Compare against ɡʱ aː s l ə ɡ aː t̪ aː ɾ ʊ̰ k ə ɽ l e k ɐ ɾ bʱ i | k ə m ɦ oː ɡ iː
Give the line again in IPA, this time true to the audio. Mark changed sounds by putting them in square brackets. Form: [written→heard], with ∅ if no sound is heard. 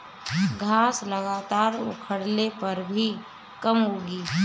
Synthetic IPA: ɡʱ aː s l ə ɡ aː t̪ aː ɾ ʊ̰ [k→kʰ] ə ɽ l e [k→p] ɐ ɾ bʱ i | k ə m ɦ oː ɡ iː